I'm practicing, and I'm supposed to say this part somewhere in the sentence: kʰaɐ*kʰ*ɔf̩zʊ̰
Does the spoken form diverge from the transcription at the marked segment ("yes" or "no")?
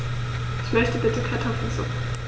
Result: yes